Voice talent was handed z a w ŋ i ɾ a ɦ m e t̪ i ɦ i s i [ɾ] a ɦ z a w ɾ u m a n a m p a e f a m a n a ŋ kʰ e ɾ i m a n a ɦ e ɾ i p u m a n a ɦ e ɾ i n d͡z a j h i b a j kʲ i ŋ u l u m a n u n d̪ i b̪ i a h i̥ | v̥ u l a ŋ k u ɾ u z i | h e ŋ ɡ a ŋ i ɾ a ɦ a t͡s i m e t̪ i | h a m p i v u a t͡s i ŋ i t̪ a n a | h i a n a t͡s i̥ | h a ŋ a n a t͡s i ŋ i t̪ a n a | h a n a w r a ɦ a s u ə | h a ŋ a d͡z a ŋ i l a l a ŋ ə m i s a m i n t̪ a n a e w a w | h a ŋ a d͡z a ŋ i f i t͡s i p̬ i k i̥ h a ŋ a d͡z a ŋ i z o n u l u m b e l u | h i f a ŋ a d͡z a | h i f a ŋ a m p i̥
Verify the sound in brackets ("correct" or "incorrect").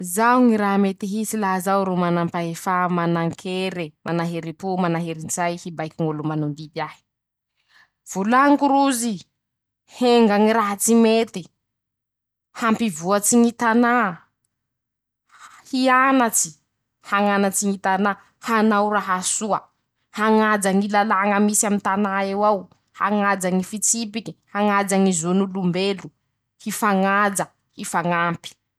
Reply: incorrect